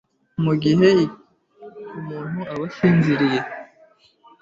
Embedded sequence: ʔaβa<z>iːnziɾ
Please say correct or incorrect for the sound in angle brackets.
incorrect